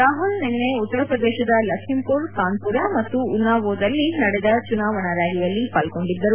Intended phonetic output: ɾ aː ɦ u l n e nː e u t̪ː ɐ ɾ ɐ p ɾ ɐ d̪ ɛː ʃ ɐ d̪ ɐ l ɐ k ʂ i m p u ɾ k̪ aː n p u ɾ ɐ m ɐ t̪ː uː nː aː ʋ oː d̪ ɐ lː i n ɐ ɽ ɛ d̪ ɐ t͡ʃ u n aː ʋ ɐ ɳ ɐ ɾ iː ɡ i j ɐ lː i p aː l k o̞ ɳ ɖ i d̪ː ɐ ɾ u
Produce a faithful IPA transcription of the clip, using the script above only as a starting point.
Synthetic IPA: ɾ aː ɦ u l n e nː e u t̪ː ɐ ɾ ɐ p ɾ ɐ d̪ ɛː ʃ ɐ d̪ ɐ l ɐ k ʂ i m p u ɾ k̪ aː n p u ɾ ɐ m ɐ t̪ː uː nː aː ʋ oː d̪ ɐ lː i n ɐ ɽ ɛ d̪ ɐ t͡ʃ u n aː ʋ ɐ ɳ ɐ ɾ aː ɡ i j ɐ lː i p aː l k o̞ ɳ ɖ i d̪ː ɐ ɾ u